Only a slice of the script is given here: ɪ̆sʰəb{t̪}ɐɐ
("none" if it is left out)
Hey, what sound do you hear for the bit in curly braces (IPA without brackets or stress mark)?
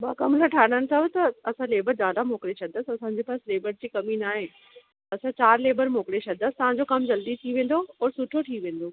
t̪